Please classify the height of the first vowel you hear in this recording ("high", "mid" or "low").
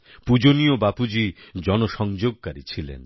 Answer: high